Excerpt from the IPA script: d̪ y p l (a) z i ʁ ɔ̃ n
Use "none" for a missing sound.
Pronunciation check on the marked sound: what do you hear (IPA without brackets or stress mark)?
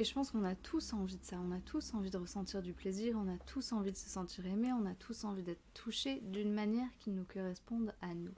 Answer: e